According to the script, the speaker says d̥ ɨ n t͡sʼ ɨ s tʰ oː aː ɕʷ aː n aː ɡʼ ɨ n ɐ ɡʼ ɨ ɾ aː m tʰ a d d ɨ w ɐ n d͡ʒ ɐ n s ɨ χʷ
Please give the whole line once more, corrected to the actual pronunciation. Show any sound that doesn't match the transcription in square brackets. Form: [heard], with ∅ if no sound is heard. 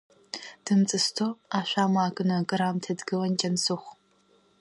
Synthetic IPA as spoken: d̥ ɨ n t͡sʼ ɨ s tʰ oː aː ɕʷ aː [m] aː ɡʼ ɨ n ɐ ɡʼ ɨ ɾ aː m tʰ [ɐ] d [ɡ] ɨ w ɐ n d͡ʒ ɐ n s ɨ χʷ